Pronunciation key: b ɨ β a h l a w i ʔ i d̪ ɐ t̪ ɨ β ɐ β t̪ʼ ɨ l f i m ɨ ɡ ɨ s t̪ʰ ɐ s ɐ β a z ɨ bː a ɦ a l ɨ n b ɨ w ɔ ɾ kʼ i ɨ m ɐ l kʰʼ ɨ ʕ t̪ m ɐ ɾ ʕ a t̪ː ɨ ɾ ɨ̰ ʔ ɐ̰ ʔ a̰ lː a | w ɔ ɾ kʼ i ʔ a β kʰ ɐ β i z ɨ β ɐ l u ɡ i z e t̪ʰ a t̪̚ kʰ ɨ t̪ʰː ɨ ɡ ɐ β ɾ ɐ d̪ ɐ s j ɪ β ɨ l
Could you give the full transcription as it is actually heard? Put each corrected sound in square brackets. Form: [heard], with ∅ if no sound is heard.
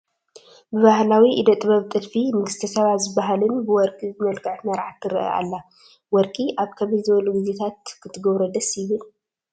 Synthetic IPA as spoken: b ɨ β a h l a w i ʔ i d̪ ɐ [t̪ʼ] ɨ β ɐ β t̪ʼ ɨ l f i m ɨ ɡ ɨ s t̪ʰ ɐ s ɐ β a z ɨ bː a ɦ a l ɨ n b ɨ w ɔ ɾ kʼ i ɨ m ɐ l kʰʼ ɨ ʕ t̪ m ɐ ɾ ʕ a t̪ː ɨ ɾ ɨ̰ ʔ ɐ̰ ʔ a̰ lː a | w ɔ ɾ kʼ i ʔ a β kʰ ɐ β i z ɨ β ɐ l u ɡ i z e t̪ʰ a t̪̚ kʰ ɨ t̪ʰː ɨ ɡ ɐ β ɾ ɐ d̪ ɐ s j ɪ β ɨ l